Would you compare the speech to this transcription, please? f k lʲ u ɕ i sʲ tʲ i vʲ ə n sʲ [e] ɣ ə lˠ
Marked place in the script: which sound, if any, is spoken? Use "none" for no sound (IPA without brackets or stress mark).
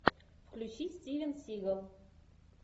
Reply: i